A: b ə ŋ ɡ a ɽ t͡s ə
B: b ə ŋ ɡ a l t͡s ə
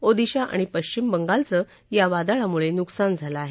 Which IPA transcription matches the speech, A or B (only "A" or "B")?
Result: B